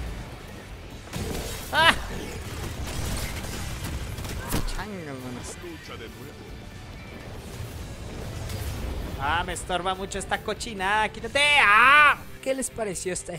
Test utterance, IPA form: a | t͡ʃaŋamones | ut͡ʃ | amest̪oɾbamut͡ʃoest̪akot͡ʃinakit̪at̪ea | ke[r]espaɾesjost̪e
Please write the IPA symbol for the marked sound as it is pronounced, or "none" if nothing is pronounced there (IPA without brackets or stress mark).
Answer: l